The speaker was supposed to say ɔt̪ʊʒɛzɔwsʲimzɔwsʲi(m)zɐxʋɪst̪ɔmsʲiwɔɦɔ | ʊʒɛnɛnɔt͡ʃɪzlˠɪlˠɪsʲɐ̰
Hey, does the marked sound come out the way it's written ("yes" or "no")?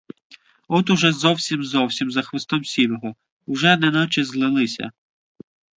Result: yes